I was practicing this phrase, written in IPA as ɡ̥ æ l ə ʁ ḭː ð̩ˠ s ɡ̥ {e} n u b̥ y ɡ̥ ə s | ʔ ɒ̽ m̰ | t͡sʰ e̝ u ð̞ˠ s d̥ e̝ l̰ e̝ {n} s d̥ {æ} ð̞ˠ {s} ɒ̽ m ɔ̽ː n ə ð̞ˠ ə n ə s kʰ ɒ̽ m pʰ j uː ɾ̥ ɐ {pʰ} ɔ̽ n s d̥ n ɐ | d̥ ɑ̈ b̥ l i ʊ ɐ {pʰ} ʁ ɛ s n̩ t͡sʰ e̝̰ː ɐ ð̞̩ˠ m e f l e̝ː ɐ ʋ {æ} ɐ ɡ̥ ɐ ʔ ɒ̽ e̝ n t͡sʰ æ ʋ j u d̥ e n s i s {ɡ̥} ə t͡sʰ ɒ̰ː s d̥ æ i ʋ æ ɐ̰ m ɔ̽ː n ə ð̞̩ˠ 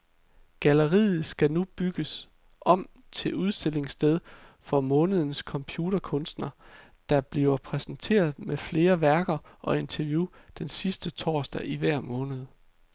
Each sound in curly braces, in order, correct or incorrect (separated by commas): incorrect, incorrect, incorrect, incorrect, incorrect, correct, correct, incorrect